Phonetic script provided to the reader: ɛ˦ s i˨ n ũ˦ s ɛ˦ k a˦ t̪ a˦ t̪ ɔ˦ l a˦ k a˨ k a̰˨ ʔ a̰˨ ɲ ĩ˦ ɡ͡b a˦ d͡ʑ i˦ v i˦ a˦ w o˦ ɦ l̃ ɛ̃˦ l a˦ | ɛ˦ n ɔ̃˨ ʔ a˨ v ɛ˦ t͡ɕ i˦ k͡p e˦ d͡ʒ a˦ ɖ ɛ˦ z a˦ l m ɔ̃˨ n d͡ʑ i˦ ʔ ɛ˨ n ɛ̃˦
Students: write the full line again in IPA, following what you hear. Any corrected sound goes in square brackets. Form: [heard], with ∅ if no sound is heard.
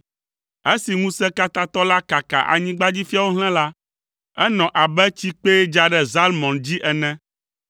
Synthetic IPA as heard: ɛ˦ s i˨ [ŋ] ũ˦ s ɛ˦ k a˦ t̪ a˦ t̪ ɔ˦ l a˦ k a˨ k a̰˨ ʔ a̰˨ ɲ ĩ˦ ɡ͡b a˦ d͡ʑ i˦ [f] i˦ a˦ w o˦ ɦ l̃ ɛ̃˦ l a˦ | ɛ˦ n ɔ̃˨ ʔ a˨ [b] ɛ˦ t͡ɕ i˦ k͡p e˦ d͡ʒ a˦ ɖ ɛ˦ z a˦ l m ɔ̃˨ n d͡ʑ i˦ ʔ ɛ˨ n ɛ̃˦